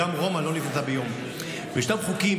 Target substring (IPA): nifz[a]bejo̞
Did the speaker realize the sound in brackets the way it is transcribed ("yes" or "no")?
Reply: yes